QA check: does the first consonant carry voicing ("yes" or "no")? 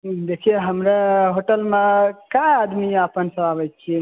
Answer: yes